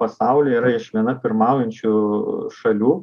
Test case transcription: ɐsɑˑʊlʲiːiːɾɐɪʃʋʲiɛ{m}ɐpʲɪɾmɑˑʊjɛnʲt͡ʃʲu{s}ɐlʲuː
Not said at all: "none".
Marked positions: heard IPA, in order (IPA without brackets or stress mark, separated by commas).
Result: n, ʃ